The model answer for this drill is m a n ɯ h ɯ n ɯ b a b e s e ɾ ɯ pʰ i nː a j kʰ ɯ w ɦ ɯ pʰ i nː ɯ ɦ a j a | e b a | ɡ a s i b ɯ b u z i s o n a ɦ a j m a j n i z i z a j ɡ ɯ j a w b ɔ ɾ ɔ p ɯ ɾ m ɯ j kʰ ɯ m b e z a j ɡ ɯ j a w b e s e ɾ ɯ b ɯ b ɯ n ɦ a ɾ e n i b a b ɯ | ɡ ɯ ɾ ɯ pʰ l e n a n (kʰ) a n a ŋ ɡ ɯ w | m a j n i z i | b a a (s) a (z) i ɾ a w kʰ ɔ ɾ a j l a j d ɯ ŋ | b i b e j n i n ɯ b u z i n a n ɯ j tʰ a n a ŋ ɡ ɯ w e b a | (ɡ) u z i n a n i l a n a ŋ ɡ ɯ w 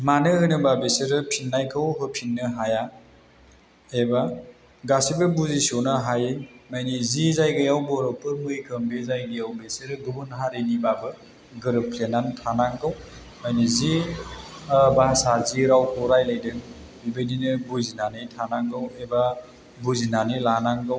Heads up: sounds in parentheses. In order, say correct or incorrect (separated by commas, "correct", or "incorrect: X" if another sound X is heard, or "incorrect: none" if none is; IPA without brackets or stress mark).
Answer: incorrect: tʰ, correct, correct, incorrect: b